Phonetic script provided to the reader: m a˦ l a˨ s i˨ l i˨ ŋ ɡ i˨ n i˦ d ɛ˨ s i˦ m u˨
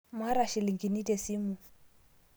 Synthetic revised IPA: m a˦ ɾ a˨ ʃ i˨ l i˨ ŋ ɡ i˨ n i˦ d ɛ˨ s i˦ m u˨